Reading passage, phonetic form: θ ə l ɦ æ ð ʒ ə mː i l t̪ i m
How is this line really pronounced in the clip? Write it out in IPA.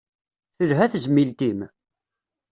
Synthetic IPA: θ ə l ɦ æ θ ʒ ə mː i l t̪ i m